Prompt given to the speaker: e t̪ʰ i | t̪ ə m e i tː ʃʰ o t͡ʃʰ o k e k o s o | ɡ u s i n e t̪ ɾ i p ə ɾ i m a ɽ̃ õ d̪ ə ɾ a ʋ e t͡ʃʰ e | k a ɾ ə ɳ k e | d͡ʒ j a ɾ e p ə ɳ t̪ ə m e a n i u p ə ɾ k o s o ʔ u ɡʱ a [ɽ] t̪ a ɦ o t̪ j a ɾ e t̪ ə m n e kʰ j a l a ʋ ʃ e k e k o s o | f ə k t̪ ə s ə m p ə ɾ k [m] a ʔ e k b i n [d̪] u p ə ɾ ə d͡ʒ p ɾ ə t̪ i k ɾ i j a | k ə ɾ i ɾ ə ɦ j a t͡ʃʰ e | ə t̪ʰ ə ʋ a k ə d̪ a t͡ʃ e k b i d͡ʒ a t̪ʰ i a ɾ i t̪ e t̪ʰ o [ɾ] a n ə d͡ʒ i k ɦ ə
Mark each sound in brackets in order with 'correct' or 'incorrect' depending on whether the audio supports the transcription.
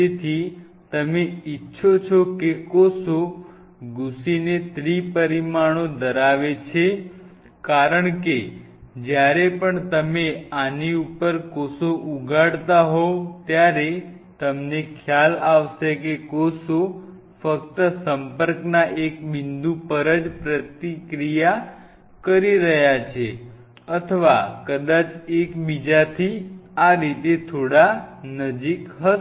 correct, incorrect, correct, incorrect

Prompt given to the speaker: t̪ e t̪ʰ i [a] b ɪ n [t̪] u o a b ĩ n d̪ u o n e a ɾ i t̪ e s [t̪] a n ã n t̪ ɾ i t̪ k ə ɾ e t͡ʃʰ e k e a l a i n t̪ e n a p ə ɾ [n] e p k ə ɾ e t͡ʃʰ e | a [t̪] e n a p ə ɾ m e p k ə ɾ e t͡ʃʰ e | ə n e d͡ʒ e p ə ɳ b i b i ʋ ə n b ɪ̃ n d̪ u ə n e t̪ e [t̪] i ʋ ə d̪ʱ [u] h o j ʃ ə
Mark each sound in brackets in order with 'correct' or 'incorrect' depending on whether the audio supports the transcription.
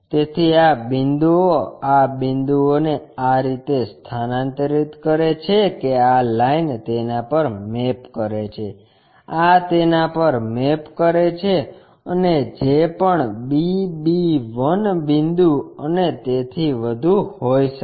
correct, incorrect, incorrect, incorrect, correct, incorrect, correct

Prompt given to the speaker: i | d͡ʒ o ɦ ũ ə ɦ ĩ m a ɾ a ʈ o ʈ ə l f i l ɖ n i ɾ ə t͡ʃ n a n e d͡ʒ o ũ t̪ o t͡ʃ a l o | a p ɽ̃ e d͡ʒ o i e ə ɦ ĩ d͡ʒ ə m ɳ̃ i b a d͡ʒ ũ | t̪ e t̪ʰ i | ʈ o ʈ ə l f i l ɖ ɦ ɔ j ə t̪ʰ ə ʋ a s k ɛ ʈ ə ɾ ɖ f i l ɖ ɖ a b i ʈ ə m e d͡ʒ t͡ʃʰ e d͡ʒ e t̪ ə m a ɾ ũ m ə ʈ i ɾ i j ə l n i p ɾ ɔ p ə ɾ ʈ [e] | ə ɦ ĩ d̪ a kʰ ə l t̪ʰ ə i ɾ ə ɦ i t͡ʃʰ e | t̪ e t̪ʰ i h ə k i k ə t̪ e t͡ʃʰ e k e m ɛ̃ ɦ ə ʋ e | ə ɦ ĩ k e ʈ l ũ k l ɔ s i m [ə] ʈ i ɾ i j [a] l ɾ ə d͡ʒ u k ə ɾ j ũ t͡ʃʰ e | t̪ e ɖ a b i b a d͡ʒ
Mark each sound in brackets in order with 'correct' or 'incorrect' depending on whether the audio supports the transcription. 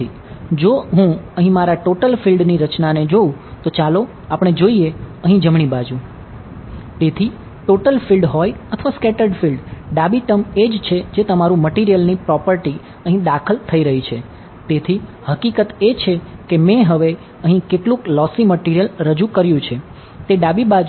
incorrect, correct, incorrect

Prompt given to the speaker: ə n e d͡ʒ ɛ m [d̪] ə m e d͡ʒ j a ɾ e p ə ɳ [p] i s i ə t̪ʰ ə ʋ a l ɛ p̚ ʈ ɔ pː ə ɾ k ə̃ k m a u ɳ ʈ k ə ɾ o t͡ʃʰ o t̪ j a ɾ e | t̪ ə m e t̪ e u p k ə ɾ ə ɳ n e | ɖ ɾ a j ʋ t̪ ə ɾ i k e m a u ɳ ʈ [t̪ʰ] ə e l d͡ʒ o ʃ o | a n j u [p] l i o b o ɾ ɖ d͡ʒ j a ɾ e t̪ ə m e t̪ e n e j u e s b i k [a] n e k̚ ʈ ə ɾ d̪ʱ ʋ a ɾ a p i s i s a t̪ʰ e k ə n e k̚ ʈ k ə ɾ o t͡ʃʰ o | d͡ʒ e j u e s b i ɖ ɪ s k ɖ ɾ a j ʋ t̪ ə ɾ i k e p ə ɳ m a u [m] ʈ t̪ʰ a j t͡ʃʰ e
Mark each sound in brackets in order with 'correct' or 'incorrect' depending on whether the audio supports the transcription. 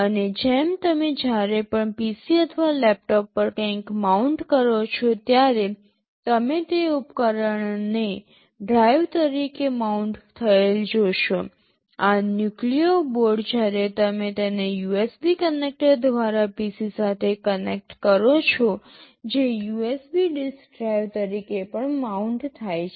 incorrect, correct, correct, incorrect, incorrect, incorrect

